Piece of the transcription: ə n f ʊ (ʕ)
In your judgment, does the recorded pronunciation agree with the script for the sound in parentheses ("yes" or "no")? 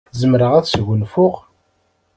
no